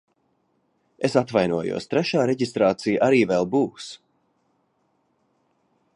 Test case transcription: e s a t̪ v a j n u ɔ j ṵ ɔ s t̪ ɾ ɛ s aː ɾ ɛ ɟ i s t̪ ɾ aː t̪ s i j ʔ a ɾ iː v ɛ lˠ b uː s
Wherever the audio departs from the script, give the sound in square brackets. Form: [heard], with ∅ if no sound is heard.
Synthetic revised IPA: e s a t̪ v a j n u ɔ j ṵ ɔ s t̪ ɾ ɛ [ʃ] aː ɾ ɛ ɟ i s t̪ ɾ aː t̪ s i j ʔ a ɾ iː v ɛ lˠ b uː s